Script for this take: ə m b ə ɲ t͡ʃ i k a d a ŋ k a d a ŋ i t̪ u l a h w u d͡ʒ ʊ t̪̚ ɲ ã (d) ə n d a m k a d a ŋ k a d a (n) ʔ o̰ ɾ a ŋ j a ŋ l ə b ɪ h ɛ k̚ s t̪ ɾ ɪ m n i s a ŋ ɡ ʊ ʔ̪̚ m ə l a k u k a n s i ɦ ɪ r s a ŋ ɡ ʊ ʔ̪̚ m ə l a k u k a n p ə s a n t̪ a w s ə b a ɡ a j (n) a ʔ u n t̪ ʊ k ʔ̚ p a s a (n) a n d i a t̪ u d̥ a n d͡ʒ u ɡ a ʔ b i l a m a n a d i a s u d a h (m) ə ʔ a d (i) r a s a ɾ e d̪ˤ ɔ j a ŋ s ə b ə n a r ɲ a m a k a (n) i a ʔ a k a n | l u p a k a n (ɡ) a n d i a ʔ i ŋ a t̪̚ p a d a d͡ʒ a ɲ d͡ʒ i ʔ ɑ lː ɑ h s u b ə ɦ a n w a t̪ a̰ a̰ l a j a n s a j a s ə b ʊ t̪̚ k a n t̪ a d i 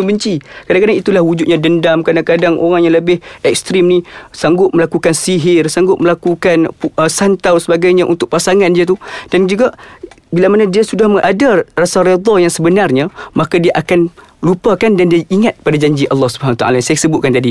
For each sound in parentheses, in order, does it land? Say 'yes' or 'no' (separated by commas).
yes, no, no, no, yes, no, no, no